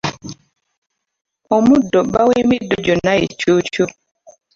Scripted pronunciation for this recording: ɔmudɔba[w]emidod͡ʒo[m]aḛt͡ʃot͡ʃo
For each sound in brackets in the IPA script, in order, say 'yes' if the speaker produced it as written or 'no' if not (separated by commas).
yes, no